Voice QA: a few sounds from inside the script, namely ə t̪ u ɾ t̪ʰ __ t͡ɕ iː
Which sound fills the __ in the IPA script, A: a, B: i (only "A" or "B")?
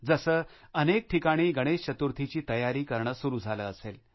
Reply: B